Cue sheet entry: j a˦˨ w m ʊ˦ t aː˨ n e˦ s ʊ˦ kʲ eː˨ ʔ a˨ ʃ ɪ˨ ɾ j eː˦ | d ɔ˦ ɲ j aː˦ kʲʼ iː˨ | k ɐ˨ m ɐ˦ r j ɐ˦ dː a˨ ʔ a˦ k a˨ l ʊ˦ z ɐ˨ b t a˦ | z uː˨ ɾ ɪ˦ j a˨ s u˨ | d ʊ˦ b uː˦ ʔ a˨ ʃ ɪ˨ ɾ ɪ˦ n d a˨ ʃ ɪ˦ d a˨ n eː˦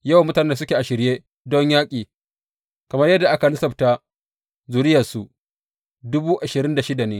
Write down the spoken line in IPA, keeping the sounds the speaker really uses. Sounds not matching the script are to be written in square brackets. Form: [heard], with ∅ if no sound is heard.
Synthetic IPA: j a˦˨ w m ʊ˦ t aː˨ n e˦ s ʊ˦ kʲ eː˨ ʔ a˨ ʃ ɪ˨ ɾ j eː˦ | d ɔ˦ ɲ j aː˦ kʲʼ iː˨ | k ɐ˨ m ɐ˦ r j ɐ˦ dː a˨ ʔ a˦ k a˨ l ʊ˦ [s] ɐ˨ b t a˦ | z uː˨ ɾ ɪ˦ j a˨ s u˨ | d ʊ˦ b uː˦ ʔ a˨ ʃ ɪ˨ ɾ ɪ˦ n d a˨ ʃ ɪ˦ d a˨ n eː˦

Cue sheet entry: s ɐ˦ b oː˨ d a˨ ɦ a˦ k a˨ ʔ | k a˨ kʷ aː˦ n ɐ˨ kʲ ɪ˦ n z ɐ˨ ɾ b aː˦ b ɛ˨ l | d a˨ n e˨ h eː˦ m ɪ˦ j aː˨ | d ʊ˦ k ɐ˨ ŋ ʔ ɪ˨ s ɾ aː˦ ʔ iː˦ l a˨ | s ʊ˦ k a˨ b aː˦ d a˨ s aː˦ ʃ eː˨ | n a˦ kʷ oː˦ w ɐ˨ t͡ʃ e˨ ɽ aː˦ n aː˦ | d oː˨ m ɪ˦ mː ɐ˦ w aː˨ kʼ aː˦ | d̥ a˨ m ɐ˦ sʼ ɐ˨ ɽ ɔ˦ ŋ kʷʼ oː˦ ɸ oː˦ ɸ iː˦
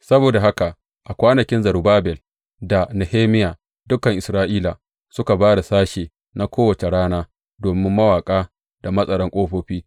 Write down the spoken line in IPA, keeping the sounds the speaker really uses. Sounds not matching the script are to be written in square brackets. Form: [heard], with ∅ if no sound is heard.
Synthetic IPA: s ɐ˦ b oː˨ d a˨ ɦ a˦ k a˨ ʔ | [ʔ] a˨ kʷ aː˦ n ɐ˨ kʲ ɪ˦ n z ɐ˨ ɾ b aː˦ b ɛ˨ l | d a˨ n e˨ h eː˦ m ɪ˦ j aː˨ | d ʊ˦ k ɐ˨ ŋ ʔ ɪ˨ s ɾ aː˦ ʔ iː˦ l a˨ | s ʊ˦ k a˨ b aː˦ d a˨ s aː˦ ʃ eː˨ | n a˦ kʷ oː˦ w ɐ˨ t͡ʃ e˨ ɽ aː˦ n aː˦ | d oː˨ m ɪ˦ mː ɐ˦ w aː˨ kʼ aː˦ | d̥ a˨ m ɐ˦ sʼ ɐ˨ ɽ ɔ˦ ŋ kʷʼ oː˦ ɸ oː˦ ɸ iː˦

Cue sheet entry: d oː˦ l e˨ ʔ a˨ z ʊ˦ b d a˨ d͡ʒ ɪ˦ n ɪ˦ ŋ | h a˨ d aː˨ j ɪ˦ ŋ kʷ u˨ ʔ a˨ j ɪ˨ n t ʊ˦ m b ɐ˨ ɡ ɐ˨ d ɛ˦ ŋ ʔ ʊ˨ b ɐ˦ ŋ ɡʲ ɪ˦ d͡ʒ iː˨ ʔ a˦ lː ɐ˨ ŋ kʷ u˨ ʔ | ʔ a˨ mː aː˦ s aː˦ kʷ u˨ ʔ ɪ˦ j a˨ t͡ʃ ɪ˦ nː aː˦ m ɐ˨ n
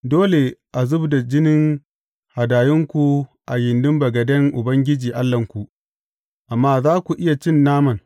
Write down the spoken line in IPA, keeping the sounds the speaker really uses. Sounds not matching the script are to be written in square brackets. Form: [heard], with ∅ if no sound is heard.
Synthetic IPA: d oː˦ l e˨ ʔ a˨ z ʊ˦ b d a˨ d͡ʒ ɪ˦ n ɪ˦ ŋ | h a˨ d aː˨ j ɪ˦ ŋ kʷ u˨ ʔ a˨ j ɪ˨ n [d] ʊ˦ m b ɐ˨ ɡ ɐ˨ d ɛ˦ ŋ ʔ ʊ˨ b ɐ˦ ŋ ɡʲ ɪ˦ d͡ʒ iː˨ ʔ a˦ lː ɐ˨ ŋ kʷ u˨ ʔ | ʔ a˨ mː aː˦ [z] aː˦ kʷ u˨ ʔ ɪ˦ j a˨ t͡ʃ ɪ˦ nː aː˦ m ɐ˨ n

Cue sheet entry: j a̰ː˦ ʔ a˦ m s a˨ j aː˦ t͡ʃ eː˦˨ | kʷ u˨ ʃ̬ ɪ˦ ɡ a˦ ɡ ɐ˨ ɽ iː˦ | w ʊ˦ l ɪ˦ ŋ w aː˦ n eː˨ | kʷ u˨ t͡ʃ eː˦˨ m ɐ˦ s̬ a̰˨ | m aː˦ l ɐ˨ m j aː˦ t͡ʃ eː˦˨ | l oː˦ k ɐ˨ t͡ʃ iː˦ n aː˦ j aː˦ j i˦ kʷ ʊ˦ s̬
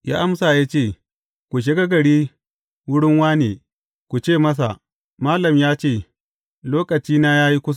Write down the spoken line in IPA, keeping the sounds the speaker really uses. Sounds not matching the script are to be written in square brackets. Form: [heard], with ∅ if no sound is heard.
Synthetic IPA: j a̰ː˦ ʔ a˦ m s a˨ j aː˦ t͡ʃ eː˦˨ | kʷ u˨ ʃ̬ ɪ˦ ɡ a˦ ɡ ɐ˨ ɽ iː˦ | w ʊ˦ [ɽ] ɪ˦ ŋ w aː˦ n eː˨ | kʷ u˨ t͡ʃ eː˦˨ m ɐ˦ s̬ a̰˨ | m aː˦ l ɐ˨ m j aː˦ t͡ʃ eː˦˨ | l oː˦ k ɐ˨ t͡ʃ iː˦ n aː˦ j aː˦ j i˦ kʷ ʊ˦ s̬

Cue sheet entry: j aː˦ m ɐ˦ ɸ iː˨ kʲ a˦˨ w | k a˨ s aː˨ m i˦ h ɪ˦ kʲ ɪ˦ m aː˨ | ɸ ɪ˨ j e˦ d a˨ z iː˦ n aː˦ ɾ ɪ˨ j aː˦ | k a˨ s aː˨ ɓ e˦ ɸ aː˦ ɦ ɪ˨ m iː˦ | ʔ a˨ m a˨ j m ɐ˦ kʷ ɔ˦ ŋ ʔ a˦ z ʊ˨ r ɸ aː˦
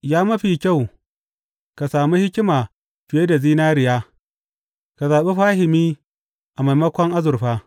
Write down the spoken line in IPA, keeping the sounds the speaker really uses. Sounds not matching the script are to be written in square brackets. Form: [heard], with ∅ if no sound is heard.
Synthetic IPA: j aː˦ m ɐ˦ ɸ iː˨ kʲ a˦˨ w | k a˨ s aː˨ m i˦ h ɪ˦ kʲ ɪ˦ m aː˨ | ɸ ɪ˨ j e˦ d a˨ z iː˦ n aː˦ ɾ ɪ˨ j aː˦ | k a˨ [z] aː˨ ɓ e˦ ɸ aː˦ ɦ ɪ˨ m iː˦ | ʔ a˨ m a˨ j m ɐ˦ kʷ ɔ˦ ŋ ʔ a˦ z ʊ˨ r ɸ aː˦

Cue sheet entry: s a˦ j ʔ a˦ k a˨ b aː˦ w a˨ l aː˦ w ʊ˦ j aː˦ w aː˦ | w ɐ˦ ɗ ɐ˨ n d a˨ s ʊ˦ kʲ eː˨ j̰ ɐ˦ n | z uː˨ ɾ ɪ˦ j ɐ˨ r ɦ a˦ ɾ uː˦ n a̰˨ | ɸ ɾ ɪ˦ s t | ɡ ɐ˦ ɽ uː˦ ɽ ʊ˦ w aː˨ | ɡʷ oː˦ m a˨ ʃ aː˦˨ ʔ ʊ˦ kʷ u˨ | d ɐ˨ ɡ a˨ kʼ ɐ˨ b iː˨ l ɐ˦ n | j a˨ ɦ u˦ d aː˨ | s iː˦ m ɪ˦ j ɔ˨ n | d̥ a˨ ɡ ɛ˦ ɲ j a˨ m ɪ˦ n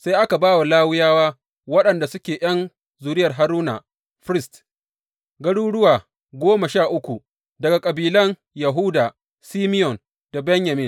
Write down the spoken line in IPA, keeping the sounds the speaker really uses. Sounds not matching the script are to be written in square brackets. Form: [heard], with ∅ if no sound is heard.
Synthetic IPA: s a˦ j ʔ a˦ k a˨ b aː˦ w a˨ l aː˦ w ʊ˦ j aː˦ w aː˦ | w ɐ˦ ɗ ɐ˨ n d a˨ s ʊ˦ kʲ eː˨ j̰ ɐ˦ n | z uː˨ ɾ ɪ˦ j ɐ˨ r ɦ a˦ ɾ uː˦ n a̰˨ | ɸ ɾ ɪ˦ s t | ɡ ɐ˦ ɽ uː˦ ɽ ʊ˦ w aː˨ | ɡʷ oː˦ m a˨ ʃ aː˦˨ ʔ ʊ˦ kʷ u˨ | d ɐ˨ ɡ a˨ kʼ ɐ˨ b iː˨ l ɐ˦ n | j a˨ ɦ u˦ d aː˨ | s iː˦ m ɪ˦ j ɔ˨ n | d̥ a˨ [b] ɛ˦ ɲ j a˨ m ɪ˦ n

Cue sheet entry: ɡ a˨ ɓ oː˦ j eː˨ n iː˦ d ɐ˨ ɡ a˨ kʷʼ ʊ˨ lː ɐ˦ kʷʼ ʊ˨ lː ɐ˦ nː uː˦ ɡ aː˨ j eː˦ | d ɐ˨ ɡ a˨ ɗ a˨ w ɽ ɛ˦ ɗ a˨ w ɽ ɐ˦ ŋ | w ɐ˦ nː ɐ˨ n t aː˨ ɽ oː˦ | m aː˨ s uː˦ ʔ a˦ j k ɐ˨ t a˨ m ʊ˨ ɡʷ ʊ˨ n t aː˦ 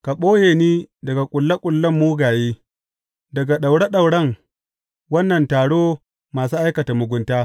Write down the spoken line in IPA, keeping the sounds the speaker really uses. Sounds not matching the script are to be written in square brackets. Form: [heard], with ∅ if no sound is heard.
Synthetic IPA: [k] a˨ ɓ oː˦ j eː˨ n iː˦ d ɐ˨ ɡ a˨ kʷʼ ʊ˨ lː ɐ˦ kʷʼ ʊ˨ lː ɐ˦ [mː] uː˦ ɡ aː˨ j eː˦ | d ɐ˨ ɡ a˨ ɗ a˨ w ɽ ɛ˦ ɗ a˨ w ɽ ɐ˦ ŋ | w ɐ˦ nː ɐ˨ n t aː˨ ɽ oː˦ | m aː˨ s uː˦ ʔ a˦ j k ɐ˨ t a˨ m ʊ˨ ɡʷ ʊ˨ n t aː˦

